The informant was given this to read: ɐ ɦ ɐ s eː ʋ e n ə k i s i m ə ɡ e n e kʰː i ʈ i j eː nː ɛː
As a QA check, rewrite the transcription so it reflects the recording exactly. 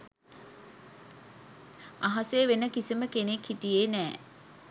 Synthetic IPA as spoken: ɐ ɦ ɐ s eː ʋ e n ə k i s i m ə k e n e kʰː i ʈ i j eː n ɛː

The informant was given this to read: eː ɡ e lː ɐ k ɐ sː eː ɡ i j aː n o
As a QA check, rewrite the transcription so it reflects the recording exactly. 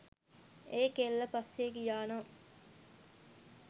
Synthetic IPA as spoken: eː k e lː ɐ p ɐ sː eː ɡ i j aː n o

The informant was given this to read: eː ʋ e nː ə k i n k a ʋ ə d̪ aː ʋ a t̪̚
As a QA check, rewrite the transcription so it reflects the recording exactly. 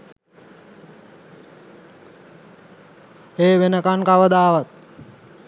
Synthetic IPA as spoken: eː ʋ e n ə k a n k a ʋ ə d̪ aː ʋ a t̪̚

